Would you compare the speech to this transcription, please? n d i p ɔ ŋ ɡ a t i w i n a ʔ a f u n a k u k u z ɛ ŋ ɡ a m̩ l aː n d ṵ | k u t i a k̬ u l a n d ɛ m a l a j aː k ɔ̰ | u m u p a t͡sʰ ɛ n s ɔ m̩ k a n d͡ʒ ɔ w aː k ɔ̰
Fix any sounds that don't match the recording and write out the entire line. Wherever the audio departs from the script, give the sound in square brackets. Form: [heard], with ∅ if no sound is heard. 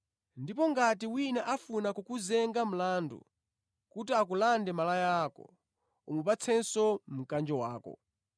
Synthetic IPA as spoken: n d i p ɔ ŋ ɡ a t i w i n a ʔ a f u n a k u k u z ɛ ŋ ɡ a m̩ l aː n d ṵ | k u t i a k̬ u l a n d ɛ m a l a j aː k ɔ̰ | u m u p a t͡sʰ ɛ n s ɔ m̩ k a n d͡ʒ ɔ w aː k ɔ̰

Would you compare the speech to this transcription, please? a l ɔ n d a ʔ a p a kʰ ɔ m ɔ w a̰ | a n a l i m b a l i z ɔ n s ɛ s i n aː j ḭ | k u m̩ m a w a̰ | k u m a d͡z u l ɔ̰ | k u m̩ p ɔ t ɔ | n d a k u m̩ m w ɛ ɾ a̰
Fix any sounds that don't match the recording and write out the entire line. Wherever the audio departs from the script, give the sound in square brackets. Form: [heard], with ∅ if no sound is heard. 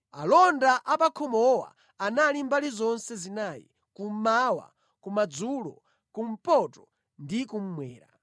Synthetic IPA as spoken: a l ɔ n d a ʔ a p a kʰ ɔ m ɔ w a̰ | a n a l i m b a l i z ɔ n s ɛ [z] i n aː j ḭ | k u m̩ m a w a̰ | k u m a d͡z u l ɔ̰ | k u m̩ p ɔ t ɔ | n d [i] k u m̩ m w [ɛː] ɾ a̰

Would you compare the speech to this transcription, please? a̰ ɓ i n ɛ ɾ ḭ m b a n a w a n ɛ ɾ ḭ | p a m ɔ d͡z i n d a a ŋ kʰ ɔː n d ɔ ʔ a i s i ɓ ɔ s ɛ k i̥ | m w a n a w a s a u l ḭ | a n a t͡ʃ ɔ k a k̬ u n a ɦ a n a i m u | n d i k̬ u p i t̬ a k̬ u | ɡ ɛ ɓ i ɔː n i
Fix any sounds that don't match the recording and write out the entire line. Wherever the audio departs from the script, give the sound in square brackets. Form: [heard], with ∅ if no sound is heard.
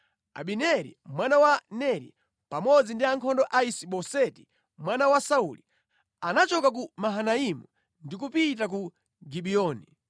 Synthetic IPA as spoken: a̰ ɓ i n ɛ ɾ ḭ m [w] a n a w a n ɛ ɾ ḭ | p a m ɔ d͡z i n d [i] a ŋ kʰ [ɔ] n d ɔ ʔ a i s i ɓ ɔ s ɛ [t] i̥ | m w a n a w a s a u l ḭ | a n a t͡ʃ ɔ k a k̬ u [m] a ɦ a n a i m u | n d i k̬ u p i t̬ a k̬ u | ɡ [i] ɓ i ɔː n i

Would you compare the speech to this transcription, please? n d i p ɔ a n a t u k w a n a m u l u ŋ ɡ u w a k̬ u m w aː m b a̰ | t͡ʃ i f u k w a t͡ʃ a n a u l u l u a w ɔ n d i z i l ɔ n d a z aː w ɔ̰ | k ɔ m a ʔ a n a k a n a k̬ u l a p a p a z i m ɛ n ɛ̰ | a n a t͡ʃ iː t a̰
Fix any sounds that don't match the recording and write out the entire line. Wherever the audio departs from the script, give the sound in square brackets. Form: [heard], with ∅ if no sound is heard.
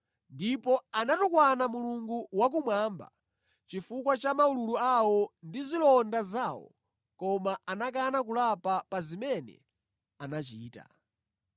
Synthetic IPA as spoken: n d i p ɔ a n a t u k w a n a m u l u ŋ ɡ u w a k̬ u m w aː m b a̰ | t͡ʃ i f u k w a t͡ʃ a [m] a u l u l u a w ɔ n d i z i l ɔ n d a z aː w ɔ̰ | k ɔ m a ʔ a n a k a n a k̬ u l a p a p a z i m ɛ n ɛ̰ | a n a t͡ʃ iː t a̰

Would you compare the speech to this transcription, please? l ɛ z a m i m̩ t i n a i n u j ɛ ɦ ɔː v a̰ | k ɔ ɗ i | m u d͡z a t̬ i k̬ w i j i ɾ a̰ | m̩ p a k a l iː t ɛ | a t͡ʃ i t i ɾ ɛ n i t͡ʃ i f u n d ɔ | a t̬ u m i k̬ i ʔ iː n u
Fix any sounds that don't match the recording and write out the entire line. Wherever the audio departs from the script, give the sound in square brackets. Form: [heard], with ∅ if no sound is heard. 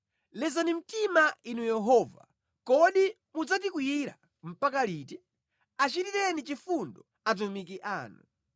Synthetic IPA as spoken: l ɛ z a [n] i m̩ t i [m] a i n u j ɛ ɦ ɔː v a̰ | k ɔ ɗ i | m u d͡z a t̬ i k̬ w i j i ɾ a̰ | m̩ p a k a l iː t ɛ | a t͡ʃ i t i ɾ ɛ n i t͡ʃ i f u n d ɔ | a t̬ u m i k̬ i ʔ [aː] n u

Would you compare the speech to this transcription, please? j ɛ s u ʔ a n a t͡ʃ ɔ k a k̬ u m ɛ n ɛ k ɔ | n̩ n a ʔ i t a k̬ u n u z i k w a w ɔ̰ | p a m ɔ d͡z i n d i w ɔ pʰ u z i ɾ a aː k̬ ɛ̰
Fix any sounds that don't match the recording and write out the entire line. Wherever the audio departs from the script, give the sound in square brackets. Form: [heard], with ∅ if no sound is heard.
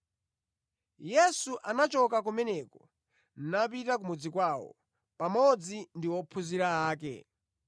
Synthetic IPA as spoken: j ɛ s u ʔ a n a t͡ʃ ɔ k a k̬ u m ɛ n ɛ k ɔ | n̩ n a [p] i t a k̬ u [m] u [d͡z] i k w a w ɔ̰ | p a m ɔ d͡z i n d i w ɔ pʰ u z i ɾ a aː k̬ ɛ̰

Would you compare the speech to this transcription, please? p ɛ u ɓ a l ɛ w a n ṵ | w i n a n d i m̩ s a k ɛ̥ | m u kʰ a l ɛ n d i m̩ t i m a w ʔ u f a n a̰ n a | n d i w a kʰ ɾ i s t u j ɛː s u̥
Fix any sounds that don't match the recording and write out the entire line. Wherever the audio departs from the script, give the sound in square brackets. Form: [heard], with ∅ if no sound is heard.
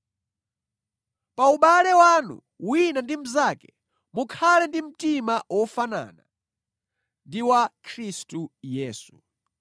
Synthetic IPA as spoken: p [a] u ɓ a l ɛ w a n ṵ | w i n a n d i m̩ [z] a k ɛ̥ | m u kʰ a l ɛ n d i m̩ t i m a w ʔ [ɔ] f a n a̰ n a | n d i w a kʰ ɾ i s t u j ɛː s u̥

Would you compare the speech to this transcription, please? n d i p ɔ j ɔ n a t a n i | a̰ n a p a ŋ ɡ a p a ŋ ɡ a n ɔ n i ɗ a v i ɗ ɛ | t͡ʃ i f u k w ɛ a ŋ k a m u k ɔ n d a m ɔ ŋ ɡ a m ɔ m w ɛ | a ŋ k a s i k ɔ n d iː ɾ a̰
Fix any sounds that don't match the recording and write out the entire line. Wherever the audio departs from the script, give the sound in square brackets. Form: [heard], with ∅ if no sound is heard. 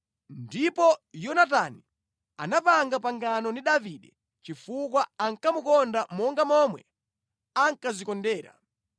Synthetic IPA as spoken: n d i p ɔ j ɔ n a t a n i | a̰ n a p a ŋ ɡ a p a ŋ ɡ a n ɔ n i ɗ a v i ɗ ɛ | t͡ʃ i f u k w [a] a ŋ k a m u k ɔ n d a m ɔ ŋ ɡ a m ɔ m w ɛ | a ŋ k a [z] i k ɔ n d [ɛː] ɾ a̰

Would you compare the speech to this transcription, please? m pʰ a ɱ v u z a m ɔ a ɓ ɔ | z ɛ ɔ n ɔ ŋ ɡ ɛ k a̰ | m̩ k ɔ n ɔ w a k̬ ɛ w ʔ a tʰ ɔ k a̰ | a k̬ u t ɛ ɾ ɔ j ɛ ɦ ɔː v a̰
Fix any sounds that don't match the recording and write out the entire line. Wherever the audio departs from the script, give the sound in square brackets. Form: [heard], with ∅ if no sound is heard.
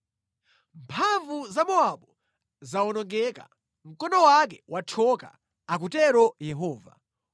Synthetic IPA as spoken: m pʰ a ɱ v u z a m ɔ a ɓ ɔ | z [a] ɔ n ɔ ŋ ɡ ɛ k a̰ | m̩ k ɔ n ɔ w a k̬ ɛ w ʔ a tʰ ɔ k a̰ | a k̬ u t ɛ ɾ ɔ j ɛ ɦ ɔː v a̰

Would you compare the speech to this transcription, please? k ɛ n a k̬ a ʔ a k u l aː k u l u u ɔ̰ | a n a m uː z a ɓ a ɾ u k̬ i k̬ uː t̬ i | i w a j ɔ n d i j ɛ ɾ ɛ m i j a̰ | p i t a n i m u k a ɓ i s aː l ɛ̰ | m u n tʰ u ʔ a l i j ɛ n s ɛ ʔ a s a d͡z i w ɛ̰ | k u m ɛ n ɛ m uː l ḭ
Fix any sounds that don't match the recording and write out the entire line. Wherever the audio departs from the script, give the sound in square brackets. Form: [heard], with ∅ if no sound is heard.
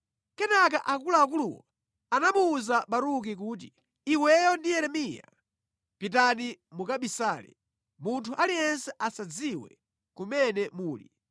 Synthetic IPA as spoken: k ɛ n a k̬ a ʔ a k u l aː k u l u [w] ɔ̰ | a n a m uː z a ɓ a ɾ u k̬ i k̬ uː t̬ i | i w [ɛ] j ɔ n d i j ɛ ɾ ɛ m i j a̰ | p i t a n i m u k a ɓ i s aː l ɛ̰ | m u n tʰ u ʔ a l i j ɛ n s ɛ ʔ a s a d͡z i w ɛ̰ | k u m ɛ n ɛ m uː l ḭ

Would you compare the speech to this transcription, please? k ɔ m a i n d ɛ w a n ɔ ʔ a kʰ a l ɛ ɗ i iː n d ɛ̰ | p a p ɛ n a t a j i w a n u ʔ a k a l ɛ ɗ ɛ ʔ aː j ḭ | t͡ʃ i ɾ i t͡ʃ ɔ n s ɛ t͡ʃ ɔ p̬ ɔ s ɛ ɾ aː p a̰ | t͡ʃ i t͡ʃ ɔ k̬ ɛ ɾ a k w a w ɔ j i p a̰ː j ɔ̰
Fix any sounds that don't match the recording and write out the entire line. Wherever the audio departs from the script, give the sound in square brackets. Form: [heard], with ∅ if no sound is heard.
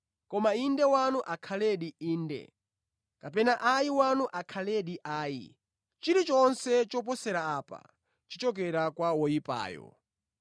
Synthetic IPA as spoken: k ɔ m a i n d ɛ w a n [u] ʔ a kʰ a l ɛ ɗ i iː n d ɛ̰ | [k] a p ɛ n a [ʔ] a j i w a n u ʔ a [kʰ] a l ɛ ɗ [i] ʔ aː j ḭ | t͡ʃ i ɾ i t͡ʃ ɔ n s ɛ t͡ʃ ɔ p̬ ɔ s ɛ ɾ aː p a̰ | t͡ʃ i t͡ʃ ɔ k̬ ɛ ɾ a k w a w ɔ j i p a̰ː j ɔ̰

